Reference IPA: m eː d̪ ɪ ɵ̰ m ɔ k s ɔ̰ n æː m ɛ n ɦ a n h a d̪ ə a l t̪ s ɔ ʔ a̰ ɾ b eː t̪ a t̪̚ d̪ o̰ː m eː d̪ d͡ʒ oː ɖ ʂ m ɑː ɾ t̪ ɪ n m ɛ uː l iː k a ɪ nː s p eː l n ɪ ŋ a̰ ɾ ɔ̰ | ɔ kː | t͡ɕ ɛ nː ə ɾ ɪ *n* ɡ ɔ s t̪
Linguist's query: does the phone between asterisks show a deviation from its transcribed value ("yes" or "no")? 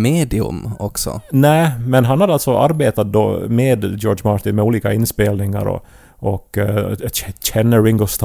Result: yes